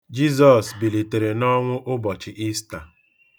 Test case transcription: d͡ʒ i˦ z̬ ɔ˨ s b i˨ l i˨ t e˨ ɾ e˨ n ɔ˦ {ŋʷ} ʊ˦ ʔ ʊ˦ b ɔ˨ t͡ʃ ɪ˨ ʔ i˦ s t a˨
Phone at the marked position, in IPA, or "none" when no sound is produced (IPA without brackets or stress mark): ŋʷ